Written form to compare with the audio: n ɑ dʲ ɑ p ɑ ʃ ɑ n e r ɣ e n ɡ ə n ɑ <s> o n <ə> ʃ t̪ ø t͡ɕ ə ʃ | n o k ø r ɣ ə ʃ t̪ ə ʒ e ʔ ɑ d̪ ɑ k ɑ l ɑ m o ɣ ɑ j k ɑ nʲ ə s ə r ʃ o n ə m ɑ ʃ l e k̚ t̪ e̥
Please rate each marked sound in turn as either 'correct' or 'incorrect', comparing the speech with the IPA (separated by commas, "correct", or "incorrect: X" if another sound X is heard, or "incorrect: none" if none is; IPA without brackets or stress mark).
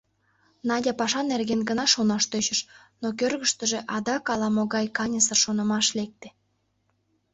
incorrect: ʃ, incorrect: ɑ